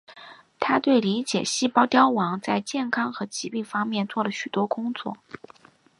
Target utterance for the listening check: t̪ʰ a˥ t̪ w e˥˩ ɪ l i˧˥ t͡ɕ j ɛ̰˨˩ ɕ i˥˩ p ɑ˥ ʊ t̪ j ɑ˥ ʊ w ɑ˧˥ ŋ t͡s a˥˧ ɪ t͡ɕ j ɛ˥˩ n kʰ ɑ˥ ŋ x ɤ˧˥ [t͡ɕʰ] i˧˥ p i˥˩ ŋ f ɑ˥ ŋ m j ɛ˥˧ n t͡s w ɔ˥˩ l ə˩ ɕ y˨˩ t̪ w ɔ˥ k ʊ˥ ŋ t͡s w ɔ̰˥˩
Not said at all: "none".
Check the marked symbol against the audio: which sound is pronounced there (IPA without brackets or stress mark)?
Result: t͡ɕ